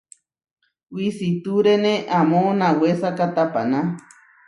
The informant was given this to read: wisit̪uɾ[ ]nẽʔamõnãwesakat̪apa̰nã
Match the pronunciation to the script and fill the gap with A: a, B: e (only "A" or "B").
B